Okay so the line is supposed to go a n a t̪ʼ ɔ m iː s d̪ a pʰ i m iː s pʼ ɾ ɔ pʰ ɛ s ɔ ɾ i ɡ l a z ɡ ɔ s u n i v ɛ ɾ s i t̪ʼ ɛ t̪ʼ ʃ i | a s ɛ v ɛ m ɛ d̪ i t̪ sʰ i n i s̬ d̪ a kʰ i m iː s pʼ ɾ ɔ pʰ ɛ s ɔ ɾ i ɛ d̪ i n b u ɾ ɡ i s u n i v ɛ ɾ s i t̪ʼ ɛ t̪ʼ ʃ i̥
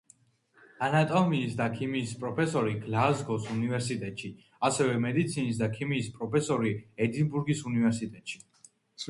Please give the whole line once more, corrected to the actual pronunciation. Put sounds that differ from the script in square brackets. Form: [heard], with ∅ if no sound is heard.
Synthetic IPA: a n a t̪ʼ ɔ m iː s d̪ a [kʰ] i m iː s pʼ ɾ ɔ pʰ ɛ s ɔ ɾ i ɡ l a z ɡ ɔ s u n i v ɛ ɾ s i t̪ʼ ɛ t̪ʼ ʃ i | a s ɛ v ɛ m ɛ d̪ i t̪ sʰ i n i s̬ d̪ a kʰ i m iː s pʼ ɾ ɔ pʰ ɛ s ɔ ɾ i ɛ d̪ i n b u ɾ ɡ i s u n i v ɛ ɾ s i t̪ʼ ɛ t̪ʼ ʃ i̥